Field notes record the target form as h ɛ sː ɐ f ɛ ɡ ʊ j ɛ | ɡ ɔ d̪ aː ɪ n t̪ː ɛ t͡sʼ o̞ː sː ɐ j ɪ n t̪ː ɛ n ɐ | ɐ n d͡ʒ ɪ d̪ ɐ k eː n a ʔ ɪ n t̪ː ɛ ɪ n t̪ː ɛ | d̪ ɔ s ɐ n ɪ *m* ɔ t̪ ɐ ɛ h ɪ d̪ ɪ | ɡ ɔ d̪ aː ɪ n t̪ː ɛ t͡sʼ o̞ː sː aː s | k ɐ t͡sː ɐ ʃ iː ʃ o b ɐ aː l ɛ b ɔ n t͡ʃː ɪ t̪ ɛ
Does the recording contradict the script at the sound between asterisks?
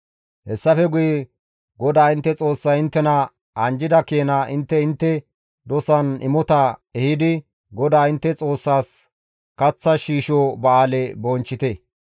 no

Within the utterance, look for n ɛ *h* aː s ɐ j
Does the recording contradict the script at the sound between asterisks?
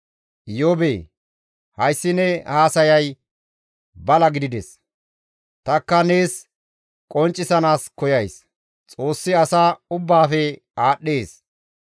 no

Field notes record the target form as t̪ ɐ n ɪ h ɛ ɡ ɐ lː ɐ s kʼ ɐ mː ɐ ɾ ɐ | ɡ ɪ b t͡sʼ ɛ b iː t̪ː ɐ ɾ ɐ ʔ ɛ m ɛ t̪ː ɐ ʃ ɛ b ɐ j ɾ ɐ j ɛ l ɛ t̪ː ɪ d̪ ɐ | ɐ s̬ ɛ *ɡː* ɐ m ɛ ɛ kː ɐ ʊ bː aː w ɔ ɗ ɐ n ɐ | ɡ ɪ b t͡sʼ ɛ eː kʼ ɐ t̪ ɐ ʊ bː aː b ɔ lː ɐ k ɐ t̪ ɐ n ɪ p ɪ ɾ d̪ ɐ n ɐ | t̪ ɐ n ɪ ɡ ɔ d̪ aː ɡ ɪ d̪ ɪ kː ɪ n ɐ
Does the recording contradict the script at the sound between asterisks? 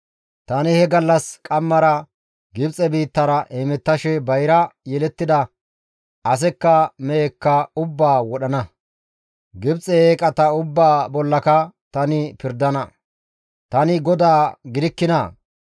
yes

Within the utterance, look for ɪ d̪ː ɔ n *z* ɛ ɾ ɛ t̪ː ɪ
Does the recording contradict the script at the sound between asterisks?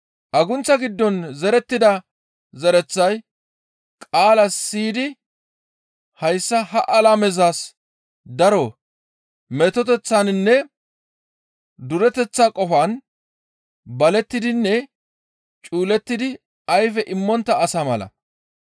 no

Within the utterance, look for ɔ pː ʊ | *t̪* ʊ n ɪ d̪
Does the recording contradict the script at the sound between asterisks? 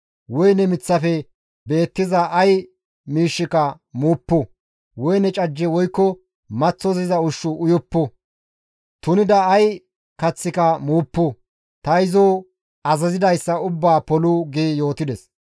no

